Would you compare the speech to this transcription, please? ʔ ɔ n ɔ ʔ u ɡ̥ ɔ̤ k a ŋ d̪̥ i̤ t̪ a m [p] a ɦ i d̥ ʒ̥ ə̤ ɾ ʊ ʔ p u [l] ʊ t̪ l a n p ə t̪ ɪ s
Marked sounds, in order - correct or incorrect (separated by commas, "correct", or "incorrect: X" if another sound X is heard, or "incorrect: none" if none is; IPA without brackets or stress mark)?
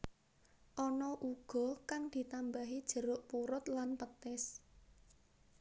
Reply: incorrect: b, incorrect: ɾ